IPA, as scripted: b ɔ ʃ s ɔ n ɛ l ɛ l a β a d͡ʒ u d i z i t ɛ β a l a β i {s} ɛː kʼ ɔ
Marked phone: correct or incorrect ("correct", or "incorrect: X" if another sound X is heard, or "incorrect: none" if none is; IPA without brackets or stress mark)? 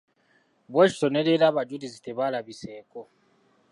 correct